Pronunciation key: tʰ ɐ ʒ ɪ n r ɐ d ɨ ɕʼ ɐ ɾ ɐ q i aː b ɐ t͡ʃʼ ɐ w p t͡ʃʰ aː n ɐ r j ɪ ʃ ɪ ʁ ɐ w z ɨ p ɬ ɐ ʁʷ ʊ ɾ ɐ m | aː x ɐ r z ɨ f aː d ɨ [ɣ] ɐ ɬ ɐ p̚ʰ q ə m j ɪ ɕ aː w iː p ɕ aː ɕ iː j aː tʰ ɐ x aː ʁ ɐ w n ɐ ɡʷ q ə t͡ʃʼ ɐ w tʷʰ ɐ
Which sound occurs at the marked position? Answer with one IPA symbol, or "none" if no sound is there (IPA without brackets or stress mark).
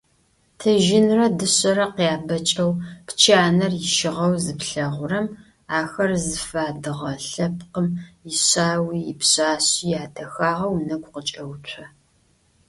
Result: ʁ